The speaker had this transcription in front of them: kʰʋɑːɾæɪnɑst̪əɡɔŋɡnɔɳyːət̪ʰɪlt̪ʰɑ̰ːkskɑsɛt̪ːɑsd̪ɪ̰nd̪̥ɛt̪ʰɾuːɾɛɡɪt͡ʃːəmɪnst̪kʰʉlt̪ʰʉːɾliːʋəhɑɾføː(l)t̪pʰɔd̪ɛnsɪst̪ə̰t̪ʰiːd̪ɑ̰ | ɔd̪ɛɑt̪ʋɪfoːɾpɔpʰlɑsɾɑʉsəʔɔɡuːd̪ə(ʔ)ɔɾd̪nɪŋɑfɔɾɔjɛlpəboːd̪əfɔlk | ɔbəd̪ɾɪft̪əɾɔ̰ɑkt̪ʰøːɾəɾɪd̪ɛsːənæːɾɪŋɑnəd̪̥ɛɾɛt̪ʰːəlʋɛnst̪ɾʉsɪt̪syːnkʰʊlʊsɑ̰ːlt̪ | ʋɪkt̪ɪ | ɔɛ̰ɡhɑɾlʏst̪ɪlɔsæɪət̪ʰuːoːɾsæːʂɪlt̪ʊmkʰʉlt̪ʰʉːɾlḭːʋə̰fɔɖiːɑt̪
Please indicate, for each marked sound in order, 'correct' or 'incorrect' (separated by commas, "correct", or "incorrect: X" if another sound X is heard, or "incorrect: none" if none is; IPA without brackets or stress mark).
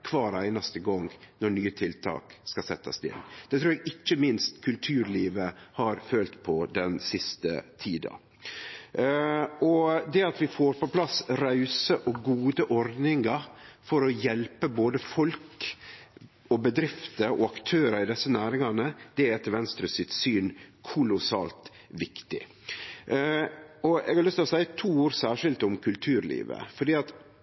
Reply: correct, correct